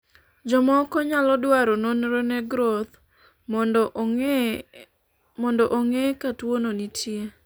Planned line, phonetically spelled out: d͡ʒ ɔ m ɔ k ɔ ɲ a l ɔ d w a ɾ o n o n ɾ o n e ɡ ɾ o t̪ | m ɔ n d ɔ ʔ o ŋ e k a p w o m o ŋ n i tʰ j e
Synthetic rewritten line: d͡ʒ ɔ m ɔ k ɔ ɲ a l ɔ d w a ɾ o n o n ɾ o n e ɡ ɾ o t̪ | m ɔ n d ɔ ʔ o ŋ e k a t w o n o n i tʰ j e